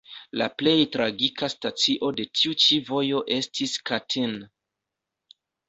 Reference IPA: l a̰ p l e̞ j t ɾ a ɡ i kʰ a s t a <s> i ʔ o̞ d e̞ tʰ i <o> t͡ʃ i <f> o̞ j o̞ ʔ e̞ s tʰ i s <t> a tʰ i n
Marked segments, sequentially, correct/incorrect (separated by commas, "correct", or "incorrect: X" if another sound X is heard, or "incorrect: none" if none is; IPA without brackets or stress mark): incorrect: t͡s, incorrect: u, incorrect: v, incorrect: k